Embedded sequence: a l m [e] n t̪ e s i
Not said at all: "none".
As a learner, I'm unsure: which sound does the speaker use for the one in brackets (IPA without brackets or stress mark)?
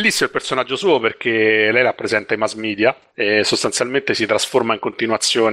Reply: e